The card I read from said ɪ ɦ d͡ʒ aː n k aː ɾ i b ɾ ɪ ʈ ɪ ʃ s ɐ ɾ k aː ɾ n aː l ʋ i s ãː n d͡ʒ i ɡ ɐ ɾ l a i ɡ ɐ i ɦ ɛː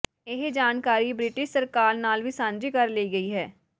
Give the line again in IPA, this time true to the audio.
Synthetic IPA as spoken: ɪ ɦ d͡ʒ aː n k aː ɾ i b ɾ ɪ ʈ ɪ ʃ s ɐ ɾ k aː ɾ n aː l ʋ i s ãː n d͡ʒ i k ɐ ɾ l e i ɡ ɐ i ɦ ɛː